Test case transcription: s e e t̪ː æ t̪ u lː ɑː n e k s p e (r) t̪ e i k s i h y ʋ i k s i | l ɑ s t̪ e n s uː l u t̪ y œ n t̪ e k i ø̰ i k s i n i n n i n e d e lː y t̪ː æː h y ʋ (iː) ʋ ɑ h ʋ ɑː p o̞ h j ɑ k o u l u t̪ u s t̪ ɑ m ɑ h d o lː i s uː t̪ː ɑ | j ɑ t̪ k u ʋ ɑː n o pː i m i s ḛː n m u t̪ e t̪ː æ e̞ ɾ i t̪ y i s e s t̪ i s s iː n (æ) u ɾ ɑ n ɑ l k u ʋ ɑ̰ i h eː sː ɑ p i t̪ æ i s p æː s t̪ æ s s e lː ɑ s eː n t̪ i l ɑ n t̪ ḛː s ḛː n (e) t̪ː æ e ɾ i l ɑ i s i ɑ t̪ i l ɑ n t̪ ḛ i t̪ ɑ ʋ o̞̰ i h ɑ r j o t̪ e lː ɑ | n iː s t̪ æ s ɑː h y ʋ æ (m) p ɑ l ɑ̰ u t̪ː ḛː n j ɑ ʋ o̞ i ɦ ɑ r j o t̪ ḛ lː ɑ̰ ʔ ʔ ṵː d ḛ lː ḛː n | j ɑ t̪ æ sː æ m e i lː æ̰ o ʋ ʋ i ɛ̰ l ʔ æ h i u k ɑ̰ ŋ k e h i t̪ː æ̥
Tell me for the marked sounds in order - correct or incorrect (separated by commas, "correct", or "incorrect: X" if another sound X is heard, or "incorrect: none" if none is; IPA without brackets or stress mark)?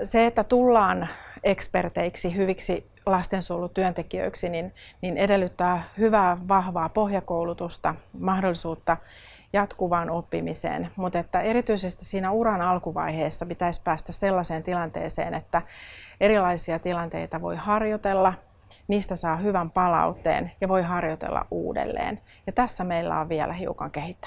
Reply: correct, incorrect: æː, correct, correct, correct